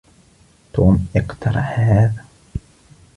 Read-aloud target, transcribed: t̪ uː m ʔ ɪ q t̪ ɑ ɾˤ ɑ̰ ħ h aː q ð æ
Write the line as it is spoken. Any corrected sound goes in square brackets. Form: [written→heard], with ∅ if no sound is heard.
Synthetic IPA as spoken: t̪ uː m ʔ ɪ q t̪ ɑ ɾˤ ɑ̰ ħ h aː [q→∅] ð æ